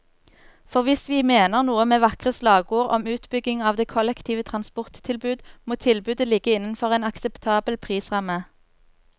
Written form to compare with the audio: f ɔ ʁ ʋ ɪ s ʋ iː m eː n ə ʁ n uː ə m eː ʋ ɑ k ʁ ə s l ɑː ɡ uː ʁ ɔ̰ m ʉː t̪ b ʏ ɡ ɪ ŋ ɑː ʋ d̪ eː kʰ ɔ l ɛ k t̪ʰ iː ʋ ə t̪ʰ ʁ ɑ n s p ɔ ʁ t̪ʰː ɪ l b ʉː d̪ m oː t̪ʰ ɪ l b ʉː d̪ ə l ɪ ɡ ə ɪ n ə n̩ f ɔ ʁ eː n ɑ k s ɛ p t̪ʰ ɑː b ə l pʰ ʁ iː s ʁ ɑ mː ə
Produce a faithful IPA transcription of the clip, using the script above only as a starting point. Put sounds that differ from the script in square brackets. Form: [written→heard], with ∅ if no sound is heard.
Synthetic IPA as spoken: f ɔ ʁ ʋ ɪ s ʋ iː m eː n ə ʁ n uː ə m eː ʋ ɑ k ʁ ə s l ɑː ɡ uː ʁ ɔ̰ m ʉː t̪ b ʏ ɡ ɪ ŋ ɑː ʋ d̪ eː kʰ ɔ l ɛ k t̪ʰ iː ʋ ə t̪ʰ ʁ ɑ n s p ɔ ʁ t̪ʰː ɪ l b ʉː d̪ m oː t̪ʰ ɪ l b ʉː d̪ ə l ɪ ɡ ə ɪ n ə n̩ f ɔ ʁ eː n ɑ k s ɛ p t̪ʰ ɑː b ə l pʰ ʁ iː s ʁ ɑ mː ə